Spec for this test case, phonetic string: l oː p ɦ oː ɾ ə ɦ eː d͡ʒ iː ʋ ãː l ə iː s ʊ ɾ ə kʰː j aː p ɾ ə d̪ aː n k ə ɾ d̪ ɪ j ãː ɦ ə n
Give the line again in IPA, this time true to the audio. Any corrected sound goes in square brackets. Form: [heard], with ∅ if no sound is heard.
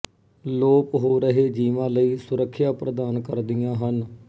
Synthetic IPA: l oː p ɦ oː ɾ ə ɦ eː d͡ʒ iː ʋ ãː l ə iː s ʊ ɾ ə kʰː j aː p ɾ ə d̪ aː n k ə ɾ d̪ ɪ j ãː ɦ ə n